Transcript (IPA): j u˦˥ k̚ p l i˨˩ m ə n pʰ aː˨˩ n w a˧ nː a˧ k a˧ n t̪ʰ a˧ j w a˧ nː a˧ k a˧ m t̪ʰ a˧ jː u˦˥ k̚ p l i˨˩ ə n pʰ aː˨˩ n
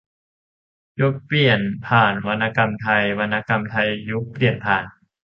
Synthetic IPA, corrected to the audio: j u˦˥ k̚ p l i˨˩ ə n pʰ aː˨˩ n w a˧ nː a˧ k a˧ m t̪ʰ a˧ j w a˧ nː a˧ k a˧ m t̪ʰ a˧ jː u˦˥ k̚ p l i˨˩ ə n pʰ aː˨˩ n